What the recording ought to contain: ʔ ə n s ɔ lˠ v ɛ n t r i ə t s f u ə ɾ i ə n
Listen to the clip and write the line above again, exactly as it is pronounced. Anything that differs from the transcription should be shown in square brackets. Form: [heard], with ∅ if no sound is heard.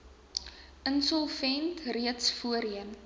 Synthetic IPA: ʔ ə n s ɔ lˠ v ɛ n t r i ə t s f u ə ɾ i ə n